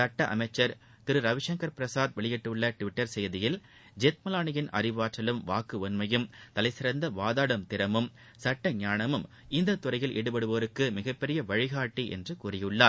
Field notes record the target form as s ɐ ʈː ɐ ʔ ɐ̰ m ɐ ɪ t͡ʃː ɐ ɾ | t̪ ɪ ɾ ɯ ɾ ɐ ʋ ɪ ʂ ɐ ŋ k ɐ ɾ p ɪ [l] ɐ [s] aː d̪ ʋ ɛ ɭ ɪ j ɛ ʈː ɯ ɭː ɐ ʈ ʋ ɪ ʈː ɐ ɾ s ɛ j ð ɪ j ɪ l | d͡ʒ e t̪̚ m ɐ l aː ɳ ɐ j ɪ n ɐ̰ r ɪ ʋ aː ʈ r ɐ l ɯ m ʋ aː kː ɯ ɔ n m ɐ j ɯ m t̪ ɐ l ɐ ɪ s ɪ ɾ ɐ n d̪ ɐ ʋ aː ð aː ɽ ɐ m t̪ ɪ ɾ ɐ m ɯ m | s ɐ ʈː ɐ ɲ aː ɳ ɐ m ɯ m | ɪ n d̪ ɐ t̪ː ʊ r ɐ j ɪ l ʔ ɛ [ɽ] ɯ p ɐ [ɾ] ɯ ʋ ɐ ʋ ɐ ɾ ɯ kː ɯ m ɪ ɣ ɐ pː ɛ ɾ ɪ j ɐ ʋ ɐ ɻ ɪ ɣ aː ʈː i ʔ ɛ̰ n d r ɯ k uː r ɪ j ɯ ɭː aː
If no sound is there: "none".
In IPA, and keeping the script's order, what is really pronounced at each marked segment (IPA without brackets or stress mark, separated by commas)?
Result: ɾ, s, ɽ, ɽ